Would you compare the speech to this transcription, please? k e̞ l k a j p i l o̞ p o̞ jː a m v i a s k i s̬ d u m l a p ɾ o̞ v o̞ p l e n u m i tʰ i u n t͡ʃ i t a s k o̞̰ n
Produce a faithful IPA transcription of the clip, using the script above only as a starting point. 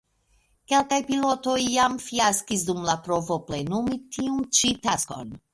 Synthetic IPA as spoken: k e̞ l k a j p i l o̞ t o̞ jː a m f i a s k i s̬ d u m l a p ɾ o̞ v o̞ p l e n u m i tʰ i u n t͡ʃ i t a s k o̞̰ n